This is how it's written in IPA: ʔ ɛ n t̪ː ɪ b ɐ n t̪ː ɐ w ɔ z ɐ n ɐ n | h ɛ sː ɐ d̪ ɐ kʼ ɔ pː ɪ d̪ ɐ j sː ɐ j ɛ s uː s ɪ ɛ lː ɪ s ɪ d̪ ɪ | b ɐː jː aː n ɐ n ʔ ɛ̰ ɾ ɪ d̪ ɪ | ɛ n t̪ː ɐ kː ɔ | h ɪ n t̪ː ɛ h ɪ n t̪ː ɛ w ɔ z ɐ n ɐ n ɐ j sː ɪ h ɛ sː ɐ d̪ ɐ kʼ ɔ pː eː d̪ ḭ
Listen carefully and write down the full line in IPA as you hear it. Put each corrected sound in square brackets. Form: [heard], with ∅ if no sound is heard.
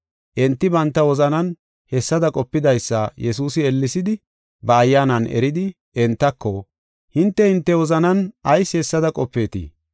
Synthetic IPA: ʔ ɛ n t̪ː ɪ b ɐ n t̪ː ɐ w ɔ z ɐ n ɐ n | h ɛ sː ɐ d̪ ɐ kʼ ɔ pː ɪ d̪ ɐ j sː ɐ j ɛ s uː s ɪ ɛ lː ɪ s ɪ d̪ ɪ | b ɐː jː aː n ɐ n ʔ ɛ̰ ɾ ɪ d̪ ɪ | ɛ n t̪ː ɐ kː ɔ | h ɪ n t̪ː ɛ h ɪ n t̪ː ɛ w ɔ z ɐ n ɐ n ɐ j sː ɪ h ɛ sː ɐ d̪ ɐ kʼ ɔ pː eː [t̪] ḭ